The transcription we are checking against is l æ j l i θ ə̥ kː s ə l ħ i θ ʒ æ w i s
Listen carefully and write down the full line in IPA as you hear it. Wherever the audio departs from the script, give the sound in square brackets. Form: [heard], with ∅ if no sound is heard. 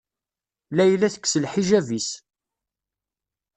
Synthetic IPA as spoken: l æ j l [æ] θ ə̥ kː s ə l ħ i [∅] ʒ æ [v] i s